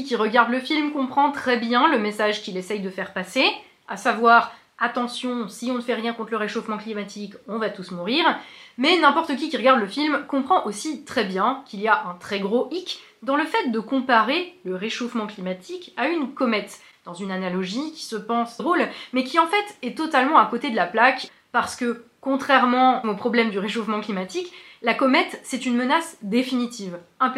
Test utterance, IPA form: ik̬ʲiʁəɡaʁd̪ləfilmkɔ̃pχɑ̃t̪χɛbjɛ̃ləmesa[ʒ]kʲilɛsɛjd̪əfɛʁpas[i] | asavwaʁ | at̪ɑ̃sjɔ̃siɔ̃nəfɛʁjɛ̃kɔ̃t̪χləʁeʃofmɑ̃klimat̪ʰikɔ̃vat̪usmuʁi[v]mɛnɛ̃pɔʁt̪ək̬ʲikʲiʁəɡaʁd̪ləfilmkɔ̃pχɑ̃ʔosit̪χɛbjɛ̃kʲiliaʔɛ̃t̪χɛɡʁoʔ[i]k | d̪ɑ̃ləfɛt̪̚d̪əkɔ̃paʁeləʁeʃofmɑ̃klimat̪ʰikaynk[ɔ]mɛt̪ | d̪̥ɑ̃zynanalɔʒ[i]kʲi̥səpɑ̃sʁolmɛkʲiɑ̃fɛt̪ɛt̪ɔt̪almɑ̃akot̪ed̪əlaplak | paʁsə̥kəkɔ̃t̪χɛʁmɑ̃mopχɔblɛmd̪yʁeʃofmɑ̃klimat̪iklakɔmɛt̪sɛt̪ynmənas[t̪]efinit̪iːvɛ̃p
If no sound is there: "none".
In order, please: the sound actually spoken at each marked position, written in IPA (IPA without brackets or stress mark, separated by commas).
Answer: ʒ, e, ʁ, i, ɔ, i, d̪